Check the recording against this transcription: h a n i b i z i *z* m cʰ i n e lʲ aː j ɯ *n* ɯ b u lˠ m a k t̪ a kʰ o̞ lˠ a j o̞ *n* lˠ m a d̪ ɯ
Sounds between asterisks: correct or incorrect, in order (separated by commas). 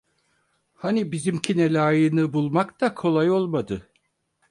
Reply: incorrect, correct, incorrect